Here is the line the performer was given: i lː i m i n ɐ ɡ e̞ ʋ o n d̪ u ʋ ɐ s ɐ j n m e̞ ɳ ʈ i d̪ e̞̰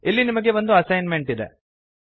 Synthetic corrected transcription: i lː i n i m ɐ ɡ e̞ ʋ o n d̪ u ɐ s ɐ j n m e̞ ɳ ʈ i d̪ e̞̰